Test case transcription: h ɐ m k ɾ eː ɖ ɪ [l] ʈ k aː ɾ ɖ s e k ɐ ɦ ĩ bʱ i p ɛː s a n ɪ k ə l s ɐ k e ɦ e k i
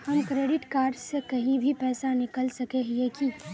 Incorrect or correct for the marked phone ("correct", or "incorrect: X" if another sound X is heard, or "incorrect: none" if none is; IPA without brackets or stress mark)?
incorrect: none